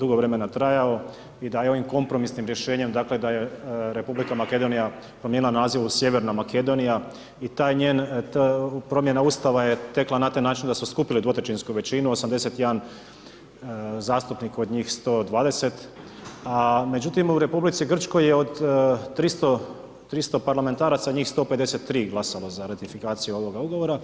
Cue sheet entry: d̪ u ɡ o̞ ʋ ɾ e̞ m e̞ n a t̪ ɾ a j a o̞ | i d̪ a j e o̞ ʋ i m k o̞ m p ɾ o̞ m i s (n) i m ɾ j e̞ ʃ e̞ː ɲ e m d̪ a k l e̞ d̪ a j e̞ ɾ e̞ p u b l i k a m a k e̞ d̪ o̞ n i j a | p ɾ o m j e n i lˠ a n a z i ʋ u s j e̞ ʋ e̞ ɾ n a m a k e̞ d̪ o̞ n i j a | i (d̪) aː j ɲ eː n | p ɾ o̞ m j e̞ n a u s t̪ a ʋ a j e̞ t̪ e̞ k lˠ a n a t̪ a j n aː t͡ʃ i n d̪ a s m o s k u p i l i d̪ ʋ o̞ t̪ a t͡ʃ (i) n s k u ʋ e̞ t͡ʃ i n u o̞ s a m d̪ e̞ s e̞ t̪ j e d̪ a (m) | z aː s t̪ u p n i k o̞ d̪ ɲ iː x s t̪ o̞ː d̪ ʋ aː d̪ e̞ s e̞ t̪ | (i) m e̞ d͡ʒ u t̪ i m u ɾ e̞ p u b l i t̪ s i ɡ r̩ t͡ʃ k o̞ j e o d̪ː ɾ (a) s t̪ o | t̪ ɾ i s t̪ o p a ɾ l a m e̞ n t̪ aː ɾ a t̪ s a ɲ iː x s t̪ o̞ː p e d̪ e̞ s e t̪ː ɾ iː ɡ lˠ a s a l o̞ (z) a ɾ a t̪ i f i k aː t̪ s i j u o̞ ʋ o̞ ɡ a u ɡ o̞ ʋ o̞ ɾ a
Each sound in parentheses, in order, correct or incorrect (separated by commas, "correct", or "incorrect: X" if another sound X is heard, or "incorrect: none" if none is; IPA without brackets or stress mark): correct, incorrect: t̪, correct, incorrect: n, incorrect: a, incorrect: i, correct